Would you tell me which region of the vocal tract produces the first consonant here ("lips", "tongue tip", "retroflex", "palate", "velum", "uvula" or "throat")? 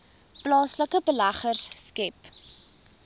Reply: lips